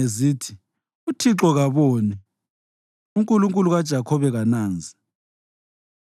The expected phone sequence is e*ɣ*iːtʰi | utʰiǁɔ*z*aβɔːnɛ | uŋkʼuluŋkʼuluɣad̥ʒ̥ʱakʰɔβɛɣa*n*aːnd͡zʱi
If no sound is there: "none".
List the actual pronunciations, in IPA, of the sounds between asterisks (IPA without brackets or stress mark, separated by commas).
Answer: z, ɣ, n